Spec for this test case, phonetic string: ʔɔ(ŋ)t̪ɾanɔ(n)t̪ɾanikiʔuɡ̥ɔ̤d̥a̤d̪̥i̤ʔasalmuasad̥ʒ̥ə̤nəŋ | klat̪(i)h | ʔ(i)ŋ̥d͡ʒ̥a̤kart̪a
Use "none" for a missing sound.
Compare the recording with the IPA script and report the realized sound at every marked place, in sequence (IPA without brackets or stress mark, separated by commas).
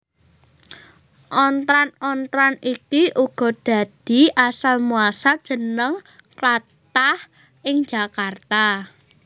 n, n, a, ɪ